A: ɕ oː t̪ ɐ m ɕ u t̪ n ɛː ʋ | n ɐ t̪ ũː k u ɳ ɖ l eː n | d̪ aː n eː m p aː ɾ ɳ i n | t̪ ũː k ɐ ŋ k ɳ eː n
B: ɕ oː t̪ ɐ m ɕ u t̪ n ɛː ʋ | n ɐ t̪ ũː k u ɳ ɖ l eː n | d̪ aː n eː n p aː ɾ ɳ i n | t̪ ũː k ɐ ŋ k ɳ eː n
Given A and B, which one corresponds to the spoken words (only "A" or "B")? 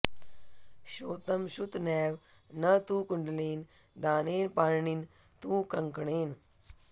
B